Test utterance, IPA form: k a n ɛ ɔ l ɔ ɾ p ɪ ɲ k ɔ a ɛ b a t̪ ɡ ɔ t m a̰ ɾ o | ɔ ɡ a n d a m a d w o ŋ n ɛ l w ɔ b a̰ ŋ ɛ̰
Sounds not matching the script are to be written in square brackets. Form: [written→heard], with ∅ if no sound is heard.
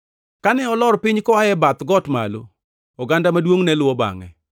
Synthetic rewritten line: k a n ɛ ɔ l ɔ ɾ p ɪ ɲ k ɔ a ɛ b a t̪ ɡ ɔ t m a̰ [ɾ→l] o | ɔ ɡ a n d a m a d w o ŋ n ɛ l w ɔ b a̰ ŋ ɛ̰